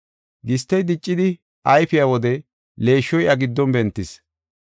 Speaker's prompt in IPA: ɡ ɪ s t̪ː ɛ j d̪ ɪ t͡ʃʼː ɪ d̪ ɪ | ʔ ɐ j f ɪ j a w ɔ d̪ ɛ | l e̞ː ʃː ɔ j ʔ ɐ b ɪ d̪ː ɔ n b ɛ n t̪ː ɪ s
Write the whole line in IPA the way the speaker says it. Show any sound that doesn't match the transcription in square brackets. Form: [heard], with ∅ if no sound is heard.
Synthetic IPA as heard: ɡ ɪ s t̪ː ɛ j d̪ ɪ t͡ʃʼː ɪ d̪ ɪ | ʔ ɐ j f ɪ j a w ɔ d̪ ɛ | l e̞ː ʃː ɔ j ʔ ɐ [ɡ] ɪ d̪ː ɔ n b ɛ n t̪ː ɪ s